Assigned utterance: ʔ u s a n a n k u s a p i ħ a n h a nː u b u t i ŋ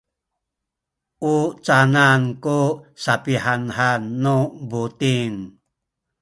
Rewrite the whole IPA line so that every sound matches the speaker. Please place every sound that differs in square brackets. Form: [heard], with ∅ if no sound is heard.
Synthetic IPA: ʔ u [t͡s] a n a n k u s a p i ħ a n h a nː u b u t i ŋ